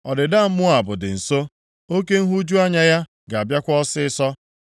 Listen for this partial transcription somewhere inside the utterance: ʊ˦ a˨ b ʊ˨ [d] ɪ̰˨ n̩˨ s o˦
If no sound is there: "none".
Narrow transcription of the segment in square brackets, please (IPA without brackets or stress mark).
d